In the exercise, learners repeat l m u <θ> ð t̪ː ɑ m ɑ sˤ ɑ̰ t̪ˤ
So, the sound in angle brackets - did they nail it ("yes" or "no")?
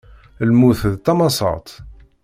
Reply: yes